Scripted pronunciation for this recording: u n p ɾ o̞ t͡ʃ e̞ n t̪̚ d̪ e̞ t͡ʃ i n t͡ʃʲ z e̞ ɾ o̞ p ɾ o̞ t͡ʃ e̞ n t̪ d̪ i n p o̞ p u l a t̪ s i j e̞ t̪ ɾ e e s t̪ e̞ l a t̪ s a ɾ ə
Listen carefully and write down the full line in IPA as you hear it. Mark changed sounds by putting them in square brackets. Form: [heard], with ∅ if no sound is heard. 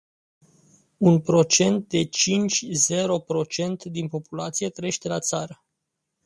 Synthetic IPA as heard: u n p ɾ o̞ t͡ʃ e̞ n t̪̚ d̪ e̞ t͡ʃ i n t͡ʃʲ z e̞ ɾ o̞ p ɾ o̞ t͡ʃ e̞ n t̪ d̪ i n p o̞ p u l a t̪ s i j e̞ t̪ ɾ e e [ʃ] t̪ e̞ l a t̪ s a ɾ ə